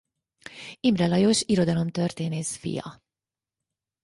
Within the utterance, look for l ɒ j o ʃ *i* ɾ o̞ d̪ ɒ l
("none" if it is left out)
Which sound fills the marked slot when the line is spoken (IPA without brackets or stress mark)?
i